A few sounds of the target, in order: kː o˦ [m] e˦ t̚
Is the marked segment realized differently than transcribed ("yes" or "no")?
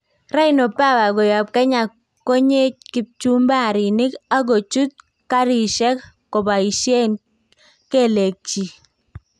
yes